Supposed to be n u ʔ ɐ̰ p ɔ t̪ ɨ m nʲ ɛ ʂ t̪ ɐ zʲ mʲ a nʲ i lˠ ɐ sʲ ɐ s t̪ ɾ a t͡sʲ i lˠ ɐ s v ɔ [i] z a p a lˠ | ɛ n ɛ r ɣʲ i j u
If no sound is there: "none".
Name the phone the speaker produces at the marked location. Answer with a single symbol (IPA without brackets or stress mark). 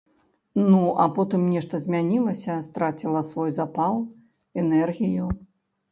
j